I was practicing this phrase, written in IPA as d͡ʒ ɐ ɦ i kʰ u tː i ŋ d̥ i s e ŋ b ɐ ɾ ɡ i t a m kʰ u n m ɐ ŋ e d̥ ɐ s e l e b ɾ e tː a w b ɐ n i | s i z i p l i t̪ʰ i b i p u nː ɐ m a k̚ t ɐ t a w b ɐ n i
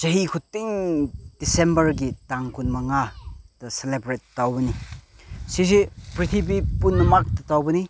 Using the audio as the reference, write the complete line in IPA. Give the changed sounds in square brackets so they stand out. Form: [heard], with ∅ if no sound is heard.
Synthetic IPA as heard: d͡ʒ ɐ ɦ i kʰ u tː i ŋ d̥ i s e [m] b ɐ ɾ ɡ i t a [ŋ] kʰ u n m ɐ ŋ [a] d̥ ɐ s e l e b ɾ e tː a w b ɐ n i | s i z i p [ɾ] i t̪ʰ i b i p u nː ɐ m a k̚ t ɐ t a w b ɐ n i